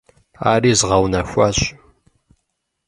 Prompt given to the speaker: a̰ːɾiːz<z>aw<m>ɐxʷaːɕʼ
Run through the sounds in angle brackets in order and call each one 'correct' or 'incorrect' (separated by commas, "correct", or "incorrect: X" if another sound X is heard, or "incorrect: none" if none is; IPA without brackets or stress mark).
incorrect: ʁ, incorrect: n